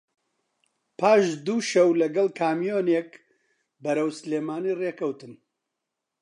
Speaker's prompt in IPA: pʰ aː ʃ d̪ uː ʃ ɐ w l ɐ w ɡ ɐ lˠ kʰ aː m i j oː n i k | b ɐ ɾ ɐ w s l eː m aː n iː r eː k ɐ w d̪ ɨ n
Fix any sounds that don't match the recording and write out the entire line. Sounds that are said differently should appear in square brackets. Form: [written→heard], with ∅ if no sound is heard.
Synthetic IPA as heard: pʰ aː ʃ d̪ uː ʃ ɐ w l ɐ [w→∅] ɡ ɐ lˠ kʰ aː m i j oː n [i→e] k | b ɐ ɾ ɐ w s l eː m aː n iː r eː k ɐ w [d̪→t̪] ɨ n